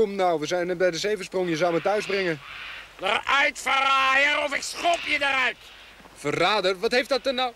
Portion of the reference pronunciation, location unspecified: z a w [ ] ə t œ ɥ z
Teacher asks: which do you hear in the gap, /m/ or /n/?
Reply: m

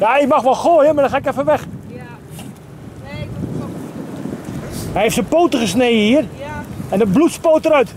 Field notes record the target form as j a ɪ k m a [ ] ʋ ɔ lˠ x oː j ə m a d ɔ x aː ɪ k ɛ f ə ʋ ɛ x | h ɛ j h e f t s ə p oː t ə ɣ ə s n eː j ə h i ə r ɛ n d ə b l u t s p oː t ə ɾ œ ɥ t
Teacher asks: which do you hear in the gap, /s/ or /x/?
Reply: x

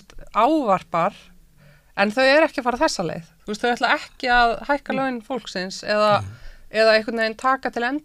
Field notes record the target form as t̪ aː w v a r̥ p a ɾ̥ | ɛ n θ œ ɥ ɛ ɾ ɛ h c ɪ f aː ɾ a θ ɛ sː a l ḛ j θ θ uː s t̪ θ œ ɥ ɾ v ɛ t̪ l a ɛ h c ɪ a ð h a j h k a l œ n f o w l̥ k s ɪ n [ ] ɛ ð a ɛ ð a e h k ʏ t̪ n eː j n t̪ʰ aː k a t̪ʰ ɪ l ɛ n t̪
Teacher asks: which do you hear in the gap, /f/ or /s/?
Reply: s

